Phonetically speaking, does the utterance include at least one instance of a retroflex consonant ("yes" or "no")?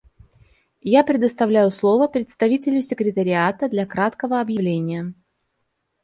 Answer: no